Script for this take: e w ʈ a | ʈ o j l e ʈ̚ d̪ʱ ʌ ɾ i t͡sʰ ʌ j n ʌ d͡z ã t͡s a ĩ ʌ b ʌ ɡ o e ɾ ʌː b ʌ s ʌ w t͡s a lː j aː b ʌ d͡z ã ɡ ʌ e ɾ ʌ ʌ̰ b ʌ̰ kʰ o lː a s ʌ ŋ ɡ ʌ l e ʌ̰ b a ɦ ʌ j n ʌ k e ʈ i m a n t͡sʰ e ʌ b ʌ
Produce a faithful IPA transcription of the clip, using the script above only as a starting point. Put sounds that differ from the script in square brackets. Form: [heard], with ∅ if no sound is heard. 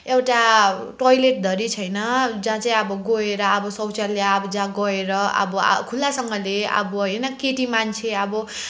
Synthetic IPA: e w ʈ a | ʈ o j l e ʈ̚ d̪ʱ ʌ ɾ i t͡sʰ ʌ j n ʌ d͡z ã t͡s a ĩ ʌ b ʌ ɡ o e ɾ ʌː b ʌ s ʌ w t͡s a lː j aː b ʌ d͡z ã ɡ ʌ e ɾ ʌ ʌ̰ b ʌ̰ kʰ [u] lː a s ʌ ŋ ɡ ʌ l e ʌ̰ b [ʌ] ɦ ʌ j n ʌ k e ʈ i m a n t͡sʰ e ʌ b ʌ